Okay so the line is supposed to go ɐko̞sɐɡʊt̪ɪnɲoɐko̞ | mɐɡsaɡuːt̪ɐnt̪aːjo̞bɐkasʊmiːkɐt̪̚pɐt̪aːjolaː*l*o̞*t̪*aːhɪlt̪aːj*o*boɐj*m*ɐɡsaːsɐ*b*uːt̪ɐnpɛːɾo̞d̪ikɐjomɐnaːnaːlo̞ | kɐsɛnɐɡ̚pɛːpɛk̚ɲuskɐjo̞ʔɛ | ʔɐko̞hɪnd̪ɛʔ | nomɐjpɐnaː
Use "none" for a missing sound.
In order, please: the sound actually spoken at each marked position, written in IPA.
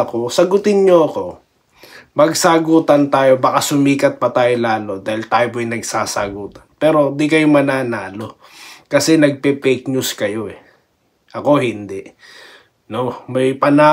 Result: l, d̪, o, n, ɡ

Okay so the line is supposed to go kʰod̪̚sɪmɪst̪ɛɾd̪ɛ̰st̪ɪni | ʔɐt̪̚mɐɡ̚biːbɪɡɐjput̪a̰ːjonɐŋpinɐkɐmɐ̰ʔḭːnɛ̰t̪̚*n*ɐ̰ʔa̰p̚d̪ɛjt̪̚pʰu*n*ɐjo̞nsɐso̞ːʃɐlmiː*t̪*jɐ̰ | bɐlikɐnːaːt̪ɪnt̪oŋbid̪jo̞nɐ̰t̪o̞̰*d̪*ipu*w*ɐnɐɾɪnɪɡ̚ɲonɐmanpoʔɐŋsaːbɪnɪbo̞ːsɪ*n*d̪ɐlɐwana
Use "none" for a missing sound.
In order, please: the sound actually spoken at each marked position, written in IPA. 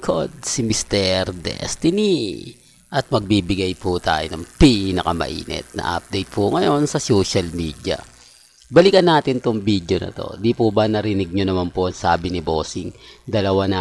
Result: n, ŋ, d̪, d̪, b, ŋ

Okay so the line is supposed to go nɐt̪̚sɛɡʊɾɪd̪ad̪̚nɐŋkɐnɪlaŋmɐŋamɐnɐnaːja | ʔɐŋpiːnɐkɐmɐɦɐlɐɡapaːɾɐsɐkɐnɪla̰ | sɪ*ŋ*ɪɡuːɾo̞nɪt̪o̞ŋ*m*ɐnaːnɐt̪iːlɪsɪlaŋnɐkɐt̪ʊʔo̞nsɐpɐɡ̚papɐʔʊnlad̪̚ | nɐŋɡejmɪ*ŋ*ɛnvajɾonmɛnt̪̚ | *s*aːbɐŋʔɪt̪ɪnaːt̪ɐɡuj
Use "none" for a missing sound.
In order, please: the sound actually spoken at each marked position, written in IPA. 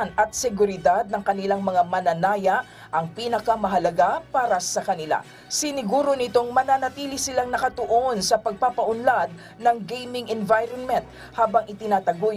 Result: n, m, ŋ, h

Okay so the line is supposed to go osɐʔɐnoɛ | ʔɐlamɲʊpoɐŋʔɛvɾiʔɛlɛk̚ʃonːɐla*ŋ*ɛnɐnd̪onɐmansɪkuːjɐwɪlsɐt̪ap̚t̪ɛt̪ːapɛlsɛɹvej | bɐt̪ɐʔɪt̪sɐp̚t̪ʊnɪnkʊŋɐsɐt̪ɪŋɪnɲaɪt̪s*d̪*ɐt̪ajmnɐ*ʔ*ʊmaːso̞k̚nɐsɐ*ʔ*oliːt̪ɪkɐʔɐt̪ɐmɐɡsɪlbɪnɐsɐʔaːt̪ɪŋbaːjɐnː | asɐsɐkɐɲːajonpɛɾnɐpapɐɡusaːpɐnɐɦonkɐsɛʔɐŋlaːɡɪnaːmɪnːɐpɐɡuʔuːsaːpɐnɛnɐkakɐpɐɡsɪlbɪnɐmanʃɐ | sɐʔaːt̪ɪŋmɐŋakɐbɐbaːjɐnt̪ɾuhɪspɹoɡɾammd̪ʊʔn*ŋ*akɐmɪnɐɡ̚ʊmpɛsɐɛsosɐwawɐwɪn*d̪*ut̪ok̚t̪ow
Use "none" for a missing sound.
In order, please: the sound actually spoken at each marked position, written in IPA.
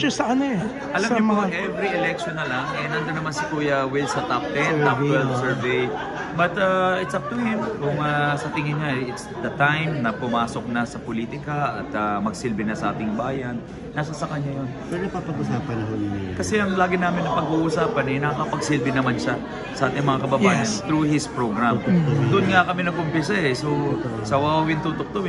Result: ŋ, d̪, p, p, ŋ, t̪

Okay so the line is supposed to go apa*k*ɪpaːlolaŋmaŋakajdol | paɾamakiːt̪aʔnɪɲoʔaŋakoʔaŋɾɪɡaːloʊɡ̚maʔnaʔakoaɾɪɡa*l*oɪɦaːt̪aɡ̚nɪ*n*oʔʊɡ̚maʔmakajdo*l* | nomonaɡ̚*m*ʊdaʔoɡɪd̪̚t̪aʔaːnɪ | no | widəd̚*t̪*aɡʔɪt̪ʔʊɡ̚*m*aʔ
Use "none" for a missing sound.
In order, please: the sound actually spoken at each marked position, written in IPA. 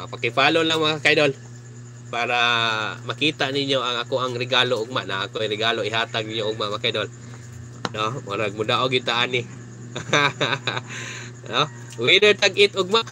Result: k, l, ɲ, l, m, t̪, m

